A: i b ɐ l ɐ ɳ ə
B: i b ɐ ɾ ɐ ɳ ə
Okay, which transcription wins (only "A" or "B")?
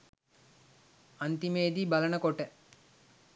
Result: A